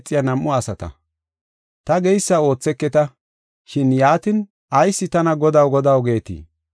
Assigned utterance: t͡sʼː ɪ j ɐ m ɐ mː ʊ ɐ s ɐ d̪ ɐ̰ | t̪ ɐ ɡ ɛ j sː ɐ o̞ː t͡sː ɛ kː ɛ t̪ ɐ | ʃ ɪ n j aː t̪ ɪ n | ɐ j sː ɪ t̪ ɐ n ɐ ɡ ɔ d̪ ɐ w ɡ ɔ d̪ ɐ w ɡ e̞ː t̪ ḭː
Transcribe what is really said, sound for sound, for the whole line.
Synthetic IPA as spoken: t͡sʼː ɪ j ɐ n ɐ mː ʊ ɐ s ɐ t̪ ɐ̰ | t̪ ɐ ɡ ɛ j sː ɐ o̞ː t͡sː ɛ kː ɛ t̪ ɐ | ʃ ɪ n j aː t̪ ɪ n | ɐ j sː ɪ t̪ ɐ n ɐ ɡ ɔ d̪ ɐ w ɡ ɔ d̪ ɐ w ɡ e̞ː t̪ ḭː